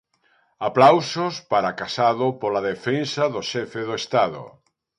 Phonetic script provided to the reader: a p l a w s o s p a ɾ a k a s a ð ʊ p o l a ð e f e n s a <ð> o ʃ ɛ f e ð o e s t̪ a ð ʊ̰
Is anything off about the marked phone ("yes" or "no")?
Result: no